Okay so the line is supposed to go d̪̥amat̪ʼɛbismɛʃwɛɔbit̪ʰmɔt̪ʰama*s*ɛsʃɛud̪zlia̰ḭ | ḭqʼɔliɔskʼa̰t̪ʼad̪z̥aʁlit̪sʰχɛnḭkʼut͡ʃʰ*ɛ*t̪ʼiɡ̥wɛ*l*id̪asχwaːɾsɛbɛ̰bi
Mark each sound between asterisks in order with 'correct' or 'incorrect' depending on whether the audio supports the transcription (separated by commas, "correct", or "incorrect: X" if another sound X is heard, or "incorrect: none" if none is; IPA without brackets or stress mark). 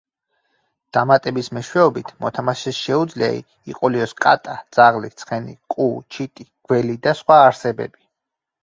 incorrect: ʃ, incorrect: i, correct